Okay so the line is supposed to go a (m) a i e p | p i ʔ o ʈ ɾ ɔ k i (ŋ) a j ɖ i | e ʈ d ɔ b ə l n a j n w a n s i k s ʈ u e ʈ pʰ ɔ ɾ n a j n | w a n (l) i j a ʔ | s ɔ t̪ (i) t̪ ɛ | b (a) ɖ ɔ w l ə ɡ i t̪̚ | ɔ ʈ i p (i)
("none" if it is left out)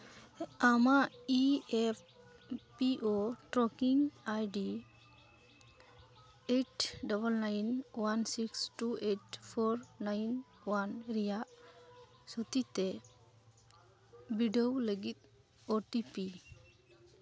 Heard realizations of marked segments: m, ŋ, ɾ, i, i, i

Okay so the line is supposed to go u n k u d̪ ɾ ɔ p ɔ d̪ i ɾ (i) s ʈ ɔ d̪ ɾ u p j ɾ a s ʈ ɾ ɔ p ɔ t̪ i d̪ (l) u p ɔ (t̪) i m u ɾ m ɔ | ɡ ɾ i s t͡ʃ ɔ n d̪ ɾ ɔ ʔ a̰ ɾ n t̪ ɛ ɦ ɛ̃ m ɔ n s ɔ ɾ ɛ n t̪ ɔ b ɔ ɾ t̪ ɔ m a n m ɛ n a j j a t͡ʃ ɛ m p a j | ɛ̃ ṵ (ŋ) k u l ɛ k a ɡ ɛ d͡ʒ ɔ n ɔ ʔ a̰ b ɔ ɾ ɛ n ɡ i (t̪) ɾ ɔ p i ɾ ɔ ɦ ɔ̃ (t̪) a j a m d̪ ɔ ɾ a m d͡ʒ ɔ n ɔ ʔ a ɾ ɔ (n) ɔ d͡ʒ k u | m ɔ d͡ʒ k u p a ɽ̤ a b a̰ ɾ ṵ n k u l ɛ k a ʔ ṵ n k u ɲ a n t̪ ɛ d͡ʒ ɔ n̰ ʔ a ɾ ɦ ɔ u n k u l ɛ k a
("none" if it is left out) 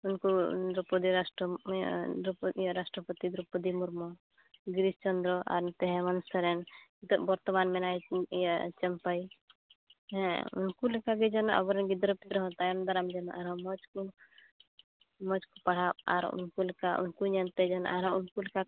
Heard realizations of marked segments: a, ɾ, d̪, n, d̪, t̪, m

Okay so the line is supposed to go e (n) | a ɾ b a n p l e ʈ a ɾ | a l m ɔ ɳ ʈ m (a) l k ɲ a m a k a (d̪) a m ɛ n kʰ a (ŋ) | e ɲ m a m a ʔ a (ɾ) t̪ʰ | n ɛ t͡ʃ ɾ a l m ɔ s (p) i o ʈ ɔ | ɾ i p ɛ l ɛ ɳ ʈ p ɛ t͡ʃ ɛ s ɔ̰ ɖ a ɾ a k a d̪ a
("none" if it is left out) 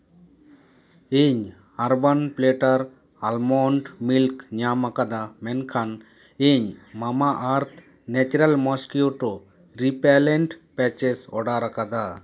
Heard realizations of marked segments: ɲ, i, d̪, n, ɾ, k

